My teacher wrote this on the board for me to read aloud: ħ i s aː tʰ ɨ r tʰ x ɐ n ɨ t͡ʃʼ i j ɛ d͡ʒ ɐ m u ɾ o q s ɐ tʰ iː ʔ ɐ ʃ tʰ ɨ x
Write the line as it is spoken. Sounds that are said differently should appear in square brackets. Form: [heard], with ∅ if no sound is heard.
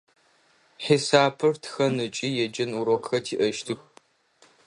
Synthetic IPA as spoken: ħ i s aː [pʰ] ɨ r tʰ x ɐ n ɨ t͡ʃʼ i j ɛ d͡ʒ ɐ [n] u ɾ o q [x] ɐ tʰ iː ʔ ɐ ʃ tʰ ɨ x